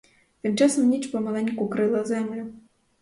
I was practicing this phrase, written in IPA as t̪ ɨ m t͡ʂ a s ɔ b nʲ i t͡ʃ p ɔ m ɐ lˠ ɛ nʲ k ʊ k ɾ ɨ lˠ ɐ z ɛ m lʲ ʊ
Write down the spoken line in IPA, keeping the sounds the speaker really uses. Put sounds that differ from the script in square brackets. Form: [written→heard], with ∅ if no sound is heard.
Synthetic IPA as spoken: t̪ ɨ m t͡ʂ a s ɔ [b→m] nʲ i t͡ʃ p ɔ m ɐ lˠ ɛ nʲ k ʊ k ɾ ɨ lˠ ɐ z ɛ m lʲ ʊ